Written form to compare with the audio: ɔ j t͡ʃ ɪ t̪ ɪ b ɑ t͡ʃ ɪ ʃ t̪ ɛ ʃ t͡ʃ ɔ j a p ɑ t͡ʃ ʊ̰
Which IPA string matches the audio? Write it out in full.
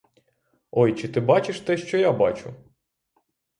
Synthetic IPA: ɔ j t͡ʃ ɪ t̪ ɪ b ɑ t͡ʃ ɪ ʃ t̪ ɛ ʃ t͡ʃ ɔ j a b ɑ t͡ʃ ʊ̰